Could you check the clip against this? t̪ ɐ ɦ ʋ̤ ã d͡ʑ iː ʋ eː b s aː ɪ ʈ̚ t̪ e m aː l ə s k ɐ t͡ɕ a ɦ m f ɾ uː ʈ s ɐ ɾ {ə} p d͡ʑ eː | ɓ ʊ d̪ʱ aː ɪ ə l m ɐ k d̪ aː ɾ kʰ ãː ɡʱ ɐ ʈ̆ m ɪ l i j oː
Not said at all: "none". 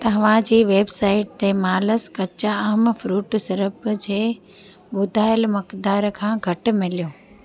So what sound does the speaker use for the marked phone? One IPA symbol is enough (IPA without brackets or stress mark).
ə